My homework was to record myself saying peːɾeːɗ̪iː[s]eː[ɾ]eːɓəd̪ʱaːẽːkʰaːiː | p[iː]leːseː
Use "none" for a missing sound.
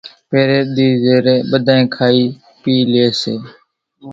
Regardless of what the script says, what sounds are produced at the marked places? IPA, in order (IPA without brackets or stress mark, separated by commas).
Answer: z, ɾ, iː